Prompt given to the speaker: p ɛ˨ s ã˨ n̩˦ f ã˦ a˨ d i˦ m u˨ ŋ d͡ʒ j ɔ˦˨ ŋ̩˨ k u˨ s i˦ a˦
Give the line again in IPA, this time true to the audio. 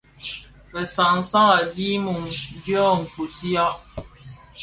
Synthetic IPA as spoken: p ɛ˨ s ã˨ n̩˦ s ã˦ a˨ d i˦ m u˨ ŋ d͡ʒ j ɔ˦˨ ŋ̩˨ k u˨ s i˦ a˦